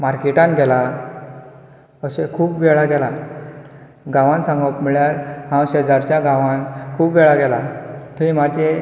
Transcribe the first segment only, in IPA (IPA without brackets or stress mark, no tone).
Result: m